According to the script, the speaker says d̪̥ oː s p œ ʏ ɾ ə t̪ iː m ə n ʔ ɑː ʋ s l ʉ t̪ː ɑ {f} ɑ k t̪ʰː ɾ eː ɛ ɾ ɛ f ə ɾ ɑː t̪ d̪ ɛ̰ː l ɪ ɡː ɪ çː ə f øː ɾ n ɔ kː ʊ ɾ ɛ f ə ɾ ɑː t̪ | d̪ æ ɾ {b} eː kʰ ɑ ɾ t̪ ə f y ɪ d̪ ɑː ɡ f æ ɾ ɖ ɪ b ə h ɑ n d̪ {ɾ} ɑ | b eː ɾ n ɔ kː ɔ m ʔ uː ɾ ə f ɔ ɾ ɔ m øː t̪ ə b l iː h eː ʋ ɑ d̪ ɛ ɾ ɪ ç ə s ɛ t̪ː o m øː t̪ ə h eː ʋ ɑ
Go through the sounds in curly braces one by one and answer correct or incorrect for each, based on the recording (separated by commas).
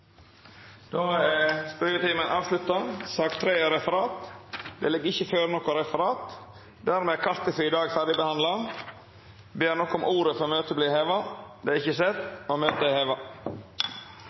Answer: incorrect, incorrect, incorrect